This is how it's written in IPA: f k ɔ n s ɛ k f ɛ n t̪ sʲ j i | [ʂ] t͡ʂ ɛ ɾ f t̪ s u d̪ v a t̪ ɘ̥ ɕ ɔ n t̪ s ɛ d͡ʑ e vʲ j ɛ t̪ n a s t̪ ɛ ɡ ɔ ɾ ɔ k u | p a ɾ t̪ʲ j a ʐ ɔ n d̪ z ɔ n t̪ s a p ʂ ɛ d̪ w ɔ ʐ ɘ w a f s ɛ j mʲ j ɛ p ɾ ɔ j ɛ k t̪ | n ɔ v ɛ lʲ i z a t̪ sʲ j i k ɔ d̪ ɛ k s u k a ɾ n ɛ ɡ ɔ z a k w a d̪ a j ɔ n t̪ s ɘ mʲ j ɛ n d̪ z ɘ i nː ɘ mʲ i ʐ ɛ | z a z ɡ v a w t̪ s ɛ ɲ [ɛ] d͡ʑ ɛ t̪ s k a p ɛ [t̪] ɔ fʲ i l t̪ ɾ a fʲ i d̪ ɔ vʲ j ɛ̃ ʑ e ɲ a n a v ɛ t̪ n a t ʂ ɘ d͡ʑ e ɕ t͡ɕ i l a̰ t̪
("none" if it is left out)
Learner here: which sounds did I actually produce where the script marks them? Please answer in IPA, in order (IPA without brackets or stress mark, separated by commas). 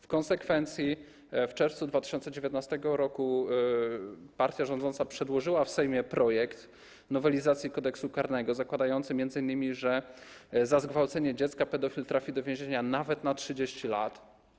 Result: f, ɛ, d̪